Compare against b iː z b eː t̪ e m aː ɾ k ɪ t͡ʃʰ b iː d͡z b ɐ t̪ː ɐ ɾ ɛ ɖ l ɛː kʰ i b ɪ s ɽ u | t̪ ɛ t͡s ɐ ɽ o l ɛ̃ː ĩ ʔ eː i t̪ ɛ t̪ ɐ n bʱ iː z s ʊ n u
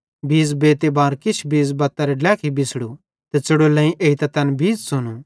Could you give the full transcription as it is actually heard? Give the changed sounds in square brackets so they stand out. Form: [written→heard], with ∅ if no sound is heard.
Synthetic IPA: b iː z b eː t̪ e [m→b] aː ɾ k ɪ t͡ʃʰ b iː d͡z b ɐ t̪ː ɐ ɾ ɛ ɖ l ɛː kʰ i b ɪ s ɽ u | t̪ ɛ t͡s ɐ ɽ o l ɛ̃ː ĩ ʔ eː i t̪ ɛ t̪ ɐ n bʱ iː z s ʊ n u